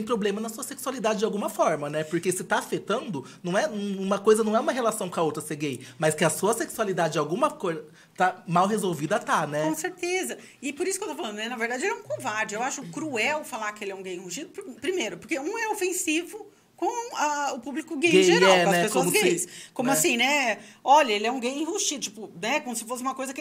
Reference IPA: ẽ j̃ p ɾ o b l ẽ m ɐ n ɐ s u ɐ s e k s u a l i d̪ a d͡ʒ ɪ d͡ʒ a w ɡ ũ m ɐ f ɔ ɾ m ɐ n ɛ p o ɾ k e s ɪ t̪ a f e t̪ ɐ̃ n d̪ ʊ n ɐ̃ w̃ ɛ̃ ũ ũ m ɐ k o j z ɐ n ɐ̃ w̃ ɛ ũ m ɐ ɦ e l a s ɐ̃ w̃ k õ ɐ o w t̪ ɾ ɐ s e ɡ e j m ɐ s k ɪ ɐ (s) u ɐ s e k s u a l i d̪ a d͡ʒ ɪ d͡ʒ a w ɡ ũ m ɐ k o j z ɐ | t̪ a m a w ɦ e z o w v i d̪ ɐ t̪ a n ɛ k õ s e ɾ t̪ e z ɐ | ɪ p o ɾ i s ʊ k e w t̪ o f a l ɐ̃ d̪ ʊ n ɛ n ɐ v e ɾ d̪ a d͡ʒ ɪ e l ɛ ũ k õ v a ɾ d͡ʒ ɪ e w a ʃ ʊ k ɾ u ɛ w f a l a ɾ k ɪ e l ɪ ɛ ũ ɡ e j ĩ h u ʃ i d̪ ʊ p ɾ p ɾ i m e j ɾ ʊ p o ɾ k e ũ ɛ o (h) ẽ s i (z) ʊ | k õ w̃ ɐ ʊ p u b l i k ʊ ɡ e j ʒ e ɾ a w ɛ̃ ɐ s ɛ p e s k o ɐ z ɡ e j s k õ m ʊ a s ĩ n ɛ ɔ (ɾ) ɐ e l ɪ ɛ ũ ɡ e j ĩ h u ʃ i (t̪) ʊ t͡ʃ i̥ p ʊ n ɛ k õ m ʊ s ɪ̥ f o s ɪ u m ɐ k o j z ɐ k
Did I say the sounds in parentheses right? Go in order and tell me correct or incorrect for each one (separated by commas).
correct, incorrect, incorrect, incorrect, incorrect